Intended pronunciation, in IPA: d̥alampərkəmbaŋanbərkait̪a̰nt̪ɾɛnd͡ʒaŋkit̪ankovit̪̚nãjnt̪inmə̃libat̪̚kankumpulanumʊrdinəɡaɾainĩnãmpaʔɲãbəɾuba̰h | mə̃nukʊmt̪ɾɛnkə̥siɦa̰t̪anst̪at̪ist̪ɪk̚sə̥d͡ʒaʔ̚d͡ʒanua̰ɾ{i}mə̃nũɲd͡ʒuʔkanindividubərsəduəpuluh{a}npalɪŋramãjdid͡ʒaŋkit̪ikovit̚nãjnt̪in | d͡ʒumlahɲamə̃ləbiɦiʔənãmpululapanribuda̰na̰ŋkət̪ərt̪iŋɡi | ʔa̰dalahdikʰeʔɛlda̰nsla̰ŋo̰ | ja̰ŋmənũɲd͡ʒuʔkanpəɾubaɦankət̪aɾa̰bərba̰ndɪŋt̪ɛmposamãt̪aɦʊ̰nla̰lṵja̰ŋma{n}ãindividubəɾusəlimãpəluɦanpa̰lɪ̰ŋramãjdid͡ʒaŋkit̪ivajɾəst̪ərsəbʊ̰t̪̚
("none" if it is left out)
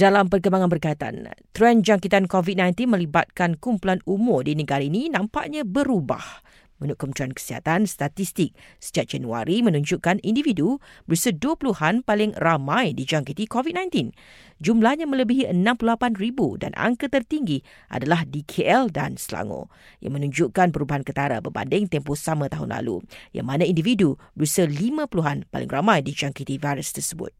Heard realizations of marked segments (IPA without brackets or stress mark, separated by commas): i, a, n